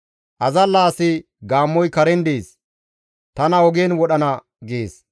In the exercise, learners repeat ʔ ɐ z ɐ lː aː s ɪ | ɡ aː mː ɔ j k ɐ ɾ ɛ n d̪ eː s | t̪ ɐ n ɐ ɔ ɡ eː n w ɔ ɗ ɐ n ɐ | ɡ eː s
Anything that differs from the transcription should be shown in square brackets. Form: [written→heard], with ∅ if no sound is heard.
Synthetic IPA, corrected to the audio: ʔ ɐ z ɐ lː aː s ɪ | ɡ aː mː ɔ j k ɐ ɾ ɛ n d̪ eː s | t̪ ɐ n ɐ ɔ ɡ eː n w ɔ ɗ ɐ n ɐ | ɡ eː s